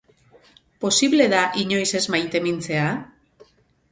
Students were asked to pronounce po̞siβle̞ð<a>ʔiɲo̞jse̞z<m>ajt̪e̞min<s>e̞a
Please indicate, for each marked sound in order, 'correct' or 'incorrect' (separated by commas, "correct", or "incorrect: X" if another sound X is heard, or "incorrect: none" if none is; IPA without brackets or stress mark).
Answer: correct, correct, incorrect: t͡s